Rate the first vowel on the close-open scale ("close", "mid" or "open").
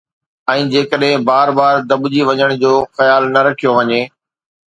mid